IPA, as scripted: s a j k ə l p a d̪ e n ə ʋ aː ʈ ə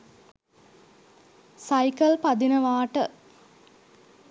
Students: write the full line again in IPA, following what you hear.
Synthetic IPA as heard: s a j k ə l p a d̪ i n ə ʋ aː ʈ ə